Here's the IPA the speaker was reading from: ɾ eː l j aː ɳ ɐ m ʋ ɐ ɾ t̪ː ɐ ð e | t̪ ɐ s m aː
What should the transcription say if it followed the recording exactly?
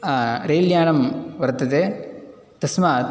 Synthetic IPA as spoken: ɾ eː l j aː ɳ ɐ m ʋ ɐ ɾ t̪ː ɐ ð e | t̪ ɐ s m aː

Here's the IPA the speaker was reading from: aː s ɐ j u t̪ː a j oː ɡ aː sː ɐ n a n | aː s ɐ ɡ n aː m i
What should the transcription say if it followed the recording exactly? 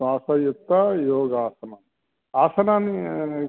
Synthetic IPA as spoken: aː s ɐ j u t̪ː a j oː ɡ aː s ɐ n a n | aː s ɐ n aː n i

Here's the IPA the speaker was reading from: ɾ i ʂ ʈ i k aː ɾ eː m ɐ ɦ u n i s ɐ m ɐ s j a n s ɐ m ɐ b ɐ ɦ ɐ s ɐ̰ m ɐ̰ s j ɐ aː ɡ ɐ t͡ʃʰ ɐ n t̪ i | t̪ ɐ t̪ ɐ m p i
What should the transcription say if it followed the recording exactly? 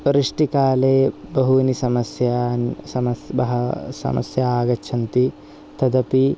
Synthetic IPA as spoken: ɾ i ʂ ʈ i k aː l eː b ɐ ɦ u n i s ɐ m ɐ s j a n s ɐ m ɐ b ɐ ɦ ɐ s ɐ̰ m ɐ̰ s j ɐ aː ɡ ɐ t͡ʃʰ ɐ n t̪ i | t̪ ɐ d̪ ɐ p i

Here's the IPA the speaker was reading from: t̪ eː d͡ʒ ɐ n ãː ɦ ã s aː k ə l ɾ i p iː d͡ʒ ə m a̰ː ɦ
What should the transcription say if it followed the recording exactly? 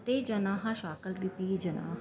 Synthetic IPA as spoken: t̪ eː d͡ʒ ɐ n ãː ɦ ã ʃ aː k ə l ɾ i p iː d͡ʒ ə n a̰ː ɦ

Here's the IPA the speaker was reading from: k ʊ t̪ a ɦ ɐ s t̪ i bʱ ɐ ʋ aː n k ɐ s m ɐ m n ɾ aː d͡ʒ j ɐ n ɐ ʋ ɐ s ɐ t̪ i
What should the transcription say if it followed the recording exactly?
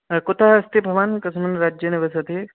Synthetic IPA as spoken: k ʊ t̪ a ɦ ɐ s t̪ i bʱ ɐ ʋ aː n k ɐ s m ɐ n ɾ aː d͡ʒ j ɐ n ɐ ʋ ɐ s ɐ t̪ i

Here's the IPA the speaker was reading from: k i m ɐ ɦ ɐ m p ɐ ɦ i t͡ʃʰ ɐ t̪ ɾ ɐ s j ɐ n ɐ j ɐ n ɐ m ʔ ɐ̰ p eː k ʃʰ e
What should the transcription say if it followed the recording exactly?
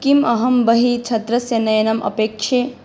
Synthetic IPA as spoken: k i m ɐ ɦ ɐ m b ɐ ɦ i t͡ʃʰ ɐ t̪ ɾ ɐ s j ɐ n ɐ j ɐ n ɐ m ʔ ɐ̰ p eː k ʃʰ e

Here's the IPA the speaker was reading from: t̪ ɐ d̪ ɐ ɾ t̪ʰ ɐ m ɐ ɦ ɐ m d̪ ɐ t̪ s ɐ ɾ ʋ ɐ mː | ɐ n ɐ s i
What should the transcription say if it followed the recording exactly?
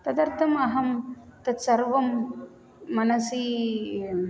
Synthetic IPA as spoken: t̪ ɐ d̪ ɐ ɾ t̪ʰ ɐ m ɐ ɦ ɐ m t̪ ɐ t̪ s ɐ ɾ ʋ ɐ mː | ɐ n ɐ s i

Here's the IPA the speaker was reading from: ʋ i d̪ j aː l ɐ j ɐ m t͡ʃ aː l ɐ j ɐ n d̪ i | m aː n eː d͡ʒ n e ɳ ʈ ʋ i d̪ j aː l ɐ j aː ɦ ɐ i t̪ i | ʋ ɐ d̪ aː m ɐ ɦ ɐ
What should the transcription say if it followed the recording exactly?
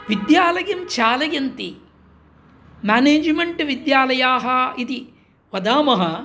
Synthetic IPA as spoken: ʋ i d̪ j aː l ɐ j ɐ m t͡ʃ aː l ɐ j ɐ n t̪ i | m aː n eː d͡ʒ m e ɳ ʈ ʋ i d̪ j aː l ɐ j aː ɦ ɐ i t̪ i | ʋ ɐ d̪ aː m ɐ ɦ ɐ

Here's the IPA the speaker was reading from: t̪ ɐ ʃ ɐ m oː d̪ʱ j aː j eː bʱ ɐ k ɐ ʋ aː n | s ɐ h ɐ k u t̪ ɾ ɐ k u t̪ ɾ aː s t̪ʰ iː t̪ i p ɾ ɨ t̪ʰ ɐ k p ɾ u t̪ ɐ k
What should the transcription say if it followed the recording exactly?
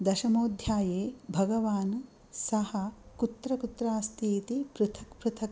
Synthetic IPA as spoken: d̪ ɐ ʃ ɐ m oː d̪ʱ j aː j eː bʱ ɐ ɡ ɐ ʋ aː n | s ɐ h ɐ k u t̪ ɾ ɐ k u t̪ ɾ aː s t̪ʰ iː t̪ i p ɾ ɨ t̪ʰ ɐ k p ɾ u t̪ʰ ɐ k

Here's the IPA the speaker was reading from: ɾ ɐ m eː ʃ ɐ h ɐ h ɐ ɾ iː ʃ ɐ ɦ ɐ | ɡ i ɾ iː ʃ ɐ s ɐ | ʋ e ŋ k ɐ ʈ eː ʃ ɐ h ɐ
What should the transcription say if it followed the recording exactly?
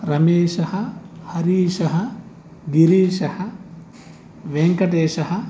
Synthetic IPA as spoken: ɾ ɐ m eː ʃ ɐ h ɐ h ɐ ɾ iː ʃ ɐ ɦ ɐ | ɡ i ɾ iː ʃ ɐ h ɐ | ʋ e ŋ k ɐ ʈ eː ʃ ɐ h ɐ

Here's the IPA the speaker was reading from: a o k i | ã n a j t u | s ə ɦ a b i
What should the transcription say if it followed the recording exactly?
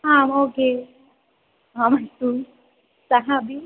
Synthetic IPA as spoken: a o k e | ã m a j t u | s a ɦ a b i

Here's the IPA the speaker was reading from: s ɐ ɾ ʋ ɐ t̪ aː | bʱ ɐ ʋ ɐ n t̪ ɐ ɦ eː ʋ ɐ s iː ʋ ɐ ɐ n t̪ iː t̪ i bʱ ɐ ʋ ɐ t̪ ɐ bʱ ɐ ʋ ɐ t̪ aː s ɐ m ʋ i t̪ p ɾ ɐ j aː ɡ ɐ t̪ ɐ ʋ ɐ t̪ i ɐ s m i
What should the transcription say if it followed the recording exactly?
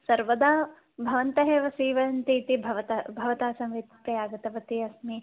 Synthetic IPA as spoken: s ɐ ɾ ʋ ɐ d̪ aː | bʱ ɐ ʋ ɐ n t̪ ɐ ɦ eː ʋ ɐ s iː ʋ ɐ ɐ n t̪ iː t̪ i bʱ ɐ ʋ ɐ t̪ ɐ bʱ ɐ ʋ ɐ t̪ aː s ɐ m ʋ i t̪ p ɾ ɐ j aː ɡ ɐ t̪ ɐ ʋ ɐ t̪ i ɐ s m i

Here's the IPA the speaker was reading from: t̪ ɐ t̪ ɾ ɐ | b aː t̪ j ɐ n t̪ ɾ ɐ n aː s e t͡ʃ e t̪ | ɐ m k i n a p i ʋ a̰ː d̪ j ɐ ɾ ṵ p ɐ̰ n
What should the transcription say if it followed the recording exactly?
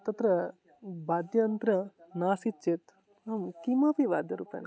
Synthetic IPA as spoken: t̪ ɐ t̪ ɾ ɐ | b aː d̪ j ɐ n t̪ ɾ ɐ n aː s i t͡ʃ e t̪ | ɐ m k i m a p i ʋ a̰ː d̪ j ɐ ɾ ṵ p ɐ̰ n

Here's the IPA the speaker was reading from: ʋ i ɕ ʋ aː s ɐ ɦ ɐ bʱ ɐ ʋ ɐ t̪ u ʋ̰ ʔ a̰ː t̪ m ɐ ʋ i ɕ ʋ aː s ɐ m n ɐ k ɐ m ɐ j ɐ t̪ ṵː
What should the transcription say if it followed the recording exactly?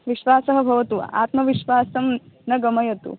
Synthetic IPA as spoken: ʋ i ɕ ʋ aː s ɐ ɦ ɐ bʱ ɐ ʋ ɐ t̪ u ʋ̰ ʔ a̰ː t̪ m ɐ ʋ i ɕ ʋ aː s ɐ m n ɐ ɡ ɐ m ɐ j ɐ t̪ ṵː

